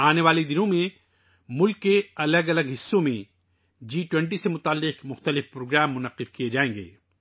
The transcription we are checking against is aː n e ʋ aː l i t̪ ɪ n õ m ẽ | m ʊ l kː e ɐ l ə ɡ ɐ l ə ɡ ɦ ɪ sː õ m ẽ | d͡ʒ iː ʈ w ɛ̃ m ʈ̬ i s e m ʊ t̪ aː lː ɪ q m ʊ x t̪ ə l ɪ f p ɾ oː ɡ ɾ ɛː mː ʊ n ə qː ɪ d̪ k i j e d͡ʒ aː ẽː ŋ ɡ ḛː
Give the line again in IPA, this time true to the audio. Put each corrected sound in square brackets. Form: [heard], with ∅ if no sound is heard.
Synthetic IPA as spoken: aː n e ʋ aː l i [d̪] ɪ n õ m ẽ | m ʊ l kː e ɐ l ə ɡ ɐ l ə ɡ ɦ ɪ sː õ m ẽ | d͡ʒ iː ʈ w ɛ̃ [ɳ] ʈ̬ i s e m ʊ t̪ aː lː ɪ q m ʊ x t̪ ə l ɪ f p ɾ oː ɡ ɾ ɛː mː ʊ n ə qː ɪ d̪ k i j e d͡ʒ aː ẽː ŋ ɡ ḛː